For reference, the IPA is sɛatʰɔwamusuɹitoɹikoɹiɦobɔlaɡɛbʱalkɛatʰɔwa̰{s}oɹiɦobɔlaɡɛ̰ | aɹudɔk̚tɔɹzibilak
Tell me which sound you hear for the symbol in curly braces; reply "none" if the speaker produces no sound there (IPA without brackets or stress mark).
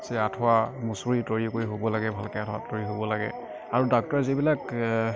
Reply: t